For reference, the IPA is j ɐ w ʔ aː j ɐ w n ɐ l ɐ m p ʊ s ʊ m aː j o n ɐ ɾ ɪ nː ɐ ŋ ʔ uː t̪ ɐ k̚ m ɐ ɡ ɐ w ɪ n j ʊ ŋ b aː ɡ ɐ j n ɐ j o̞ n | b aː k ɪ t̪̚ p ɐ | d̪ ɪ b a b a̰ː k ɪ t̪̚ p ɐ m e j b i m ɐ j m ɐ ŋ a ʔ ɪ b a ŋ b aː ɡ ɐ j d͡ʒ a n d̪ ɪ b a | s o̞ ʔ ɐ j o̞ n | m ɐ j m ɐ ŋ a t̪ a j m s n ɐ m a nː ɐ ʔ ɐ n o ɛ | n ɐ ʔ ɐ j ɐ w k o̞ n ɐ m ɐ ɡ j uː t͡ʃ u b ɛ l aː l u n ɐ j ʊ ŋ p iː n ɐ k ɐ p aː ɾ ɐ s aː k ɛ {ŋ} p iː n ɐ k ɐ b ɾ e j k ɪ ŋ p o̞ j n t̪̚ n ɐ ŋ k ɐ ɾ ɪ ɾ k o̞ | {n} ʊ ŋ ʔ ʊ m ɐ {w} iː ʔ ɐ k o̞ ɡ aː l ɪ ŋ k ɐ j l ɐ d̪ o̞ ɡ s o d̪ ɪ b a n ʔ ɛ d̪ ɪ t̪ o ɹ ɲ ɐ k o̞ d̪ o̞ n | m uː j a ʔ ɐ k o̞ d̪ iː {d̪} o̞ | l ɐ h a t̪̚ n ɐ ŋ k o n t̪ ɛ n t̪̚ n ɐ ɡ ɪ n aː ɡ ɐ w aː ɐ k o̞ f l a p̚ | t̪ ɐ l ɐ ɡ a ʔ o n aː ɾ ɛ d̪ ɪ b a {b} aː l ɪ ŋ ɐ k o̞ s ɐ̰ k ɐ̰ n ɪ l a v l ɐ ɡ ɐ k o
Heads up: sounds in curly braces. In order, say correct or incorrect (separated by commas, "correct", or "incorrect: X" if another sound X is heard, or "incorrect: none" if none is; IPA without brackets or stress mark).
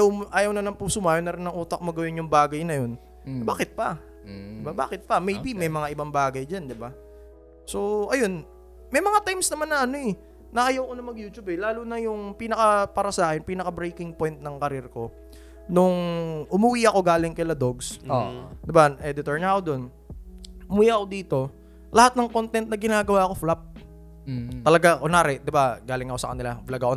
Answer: incorrect: n, correct, correct, incorrect: t̪, incorrect: ɡ